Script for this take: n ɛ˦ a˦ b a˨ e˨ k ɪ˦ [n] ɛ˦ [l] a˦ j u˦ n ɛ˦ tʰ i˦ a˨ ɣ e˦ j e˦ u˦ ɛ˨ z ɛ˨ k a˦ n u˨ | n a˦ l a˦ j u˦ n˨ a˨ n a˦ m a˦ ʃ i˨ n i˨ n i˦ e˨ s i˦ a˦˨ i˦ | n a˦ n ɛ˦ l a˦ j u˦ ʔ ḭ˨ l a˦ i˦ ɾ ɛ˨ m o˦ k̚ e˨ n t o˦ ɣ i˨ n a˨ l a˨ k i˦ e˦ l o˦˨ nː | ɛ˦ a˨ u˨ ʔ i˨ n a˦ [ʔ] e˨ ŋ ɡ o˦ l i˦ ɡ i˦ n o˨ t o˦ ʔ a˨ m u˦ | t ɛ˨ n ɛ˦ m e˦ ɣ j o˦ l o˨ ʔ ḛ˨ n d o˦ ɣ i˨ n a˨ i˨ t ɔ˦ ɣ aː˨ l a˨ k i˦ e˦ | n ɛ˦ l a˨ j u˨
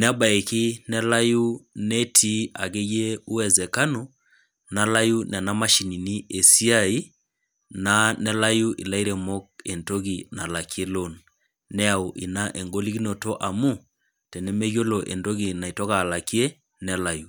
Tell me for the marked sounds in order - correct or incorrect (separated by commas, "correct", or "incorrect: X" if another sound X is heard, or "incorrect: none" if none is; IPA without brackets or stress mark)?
correct, correct, correct